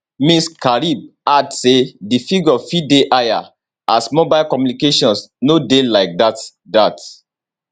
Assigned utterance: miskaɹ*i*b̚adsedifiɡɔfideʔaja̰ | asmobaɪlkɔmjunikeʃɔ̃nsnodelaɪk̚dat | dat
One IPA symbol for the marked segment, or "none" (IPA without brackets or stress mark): i